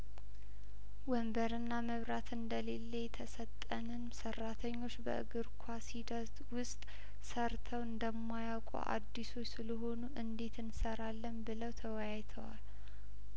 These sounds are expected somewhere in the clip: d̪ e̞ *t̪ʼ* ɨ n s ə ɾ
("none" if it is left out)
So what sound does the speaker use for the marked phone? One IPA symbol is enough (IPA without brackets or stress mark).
t̪